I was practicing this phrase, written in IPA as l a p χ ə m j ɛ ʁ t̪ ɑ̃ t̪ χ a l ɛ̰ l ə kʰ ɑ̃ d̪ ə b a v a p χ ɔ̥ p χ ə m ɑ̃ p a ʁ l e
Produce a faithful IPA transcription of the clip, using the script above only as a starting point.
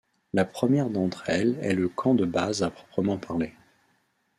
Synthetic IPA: l a p χ ə m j ɛ ʁ d̪ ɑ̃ t̪ χ ɛ l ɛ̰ l ə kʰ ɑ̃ d̪ ə b a z a p χ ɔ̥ p χ ə m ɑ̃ p a ʁ l e